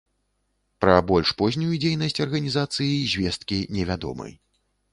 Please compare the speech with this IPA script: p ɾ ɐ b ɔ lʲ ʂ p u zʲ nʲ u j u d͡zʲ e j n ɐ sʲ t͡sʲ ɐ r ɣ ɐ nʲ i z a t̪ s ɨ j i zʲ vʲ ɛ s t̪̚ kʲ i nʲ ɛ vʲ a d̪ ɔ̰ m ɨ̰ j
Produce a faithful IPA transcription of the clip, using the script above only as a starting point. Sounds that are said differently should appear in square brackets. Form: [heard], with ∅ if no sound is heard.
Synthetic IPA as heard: p ɾ ɐ b ɔ lʲ ʂ p [ɔ] zʲ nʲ u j u d͡zʲ e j n ɐ sʲ t͡sʲ ɐ r ɣ ɐ nʲ i z a t̪ s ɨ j i zʲ vʲ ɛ s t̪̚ kʲ i nʲ ɛ vʲ a d̪ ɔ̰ m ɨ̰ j